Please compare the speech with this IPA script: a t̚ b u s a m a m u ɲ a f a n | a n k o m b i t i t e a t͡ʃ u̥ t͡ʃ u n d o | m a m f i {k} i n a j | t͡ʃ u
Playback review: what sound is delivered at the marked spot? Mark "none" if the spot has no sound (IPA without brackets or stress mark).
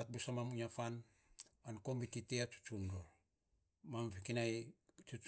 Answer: k